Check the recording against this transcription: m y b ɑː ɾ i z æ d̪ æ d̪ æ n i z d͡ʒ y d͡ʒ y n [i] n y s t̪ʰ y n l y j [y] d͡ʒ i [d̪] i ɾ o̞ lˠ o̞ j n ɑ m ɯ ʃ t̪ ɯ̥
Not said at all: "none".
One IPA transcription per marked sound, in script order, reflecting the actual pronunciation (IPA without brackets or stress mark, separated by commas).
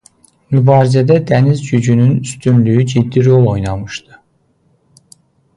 y, y, d̪ː